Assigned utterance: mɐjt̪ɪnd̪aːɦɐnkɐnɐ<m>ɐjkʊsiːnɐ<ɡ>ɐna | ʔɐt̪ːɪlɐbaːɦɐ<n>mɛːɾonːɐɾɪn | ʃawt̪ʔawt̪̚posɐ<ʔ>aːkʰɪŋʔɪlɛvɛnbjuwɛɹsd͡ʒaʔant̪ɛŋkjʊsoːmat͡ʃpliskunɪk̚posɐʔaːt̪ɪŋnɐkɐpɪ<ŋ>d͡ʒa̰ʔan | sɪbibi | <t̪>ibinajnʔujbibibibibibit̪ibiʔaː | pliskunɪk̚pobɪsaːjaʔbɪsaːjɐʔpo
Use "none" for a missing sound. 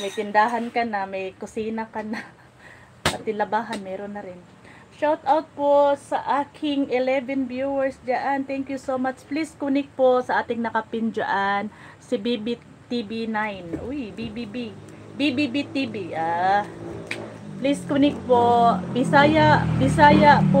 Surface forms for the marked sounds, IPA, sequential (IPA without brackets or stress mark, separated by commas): m, k, n, ʔ, n, t̪